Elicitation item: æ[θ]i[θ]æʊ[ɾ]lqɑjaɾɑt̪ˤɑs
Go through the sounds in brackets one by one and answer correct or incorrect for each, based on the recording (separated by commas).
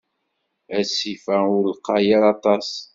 incorrect, incorrect, correct